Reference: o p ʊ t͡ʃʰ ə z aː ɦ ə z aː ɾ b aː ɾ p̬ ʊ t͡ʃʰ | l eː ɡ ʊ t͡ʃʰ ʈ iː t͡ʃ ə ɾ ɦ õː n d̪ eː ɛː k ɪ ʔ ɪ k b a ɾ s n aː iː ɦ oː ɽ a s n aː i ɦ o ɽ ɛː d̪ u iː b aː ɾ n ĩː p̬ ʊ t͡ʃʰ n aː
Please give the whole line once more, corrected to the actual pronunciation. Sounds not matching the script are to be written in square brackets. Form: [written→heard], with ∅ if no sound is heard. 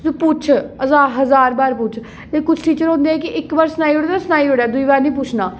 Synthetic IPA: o p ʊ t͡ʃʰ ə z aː ɦ ə z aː ɾ b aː ɾ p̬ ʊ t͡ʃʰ | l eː [ɡ→k] ʊ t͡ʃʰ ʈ iː t͡ʃ ə ɾ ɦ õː n d̪ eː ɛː k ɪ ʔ ɪ k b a ɾ s n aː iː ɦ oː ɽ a s n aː i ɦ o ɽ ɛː d̪ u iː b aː ɾ n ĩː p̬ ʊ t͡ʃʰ n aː